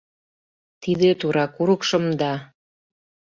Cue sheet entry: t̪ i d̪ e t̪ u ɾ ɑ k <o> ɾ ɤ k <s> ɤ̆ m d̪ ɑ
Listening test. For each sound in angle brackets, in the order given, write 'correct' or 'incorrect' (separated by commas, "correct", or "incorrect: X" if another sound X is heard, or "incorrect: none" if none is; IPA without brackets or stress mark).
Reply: incorrect: u, incorrect: ʃ